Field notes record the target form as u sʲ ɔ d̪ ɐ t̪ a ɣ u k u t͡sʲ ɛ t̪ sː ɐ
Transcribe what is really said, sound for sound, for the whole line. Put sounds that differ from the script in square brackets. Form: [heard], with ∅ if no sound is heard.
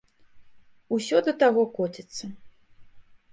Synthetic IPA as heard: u sʲ ɔ d̪ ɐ t̪ a ɣ [ɔ] k [ɔ] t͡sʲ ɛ t̪ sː ɐ